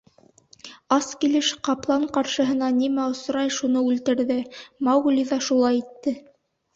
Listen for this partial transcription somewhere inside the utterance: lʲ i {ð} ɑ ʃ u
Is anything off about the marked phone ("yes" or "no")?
no